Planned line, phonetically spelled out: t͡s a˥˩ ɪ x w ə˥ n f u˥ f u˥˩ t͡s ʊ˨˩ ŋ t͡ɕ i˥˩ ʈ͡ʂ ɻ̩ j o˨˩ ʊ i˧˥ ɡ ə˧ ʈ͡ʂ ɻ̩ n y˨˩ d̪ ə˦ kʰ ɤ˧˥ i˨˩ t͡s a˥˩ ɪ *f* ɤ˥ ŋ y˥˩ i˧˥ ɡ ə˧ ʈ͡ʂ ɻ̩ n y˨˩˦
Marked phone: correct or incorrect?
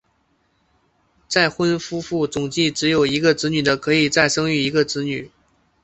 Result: incorrect: ʂ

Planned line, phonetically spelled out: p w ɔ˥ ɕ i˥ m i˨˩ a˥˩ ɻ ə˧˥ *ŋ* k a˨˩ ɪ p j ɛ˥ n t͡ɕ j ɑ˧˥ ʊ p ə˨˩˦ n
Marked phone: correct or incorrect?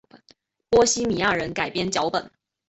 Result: incorrect: n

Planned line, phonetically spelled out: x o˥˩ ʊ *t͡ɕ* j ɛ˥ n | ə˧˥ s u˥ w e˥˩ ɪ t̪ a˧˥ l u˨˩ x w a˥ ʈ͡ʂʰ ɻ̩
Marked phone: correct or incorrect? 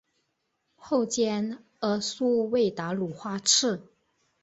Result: correct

